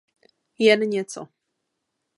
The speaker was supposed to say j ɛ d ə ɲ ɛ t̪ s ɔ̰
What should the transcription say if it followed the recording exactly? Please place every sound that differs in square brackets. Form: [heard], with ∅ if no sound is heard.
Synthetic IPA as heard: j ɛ [n] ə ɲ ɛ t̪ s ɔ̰